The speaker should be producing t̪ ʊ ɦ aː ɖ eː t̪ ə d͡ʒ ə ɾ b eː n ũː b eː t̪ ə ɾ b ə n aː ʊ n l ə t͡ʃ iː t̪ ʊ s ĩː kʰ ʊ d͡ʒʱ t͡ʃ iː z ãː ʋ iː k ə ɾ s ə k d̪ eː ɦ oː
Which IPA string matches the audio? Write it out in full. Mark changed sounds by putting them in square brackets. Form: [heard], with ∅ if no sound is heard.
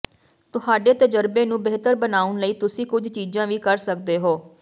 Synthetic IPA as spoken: t̪ ʊ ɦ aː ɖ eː t̪ ə d͡ʒ ə ɾ b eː n ũː b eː t̪ ə ɾ b ə n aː ʊ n l ə [∅] iː t̪ ʊ s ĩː [k] ʊ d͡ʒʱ t͡ʃ iː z ãː ʋ iː k ə ɾ s ə k d̪ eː ɦ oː